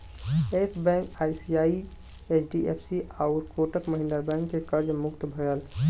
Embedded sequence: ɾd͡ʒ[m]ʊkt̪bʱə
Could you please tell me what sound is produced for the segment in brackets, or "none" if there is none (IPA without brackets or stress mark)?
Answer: m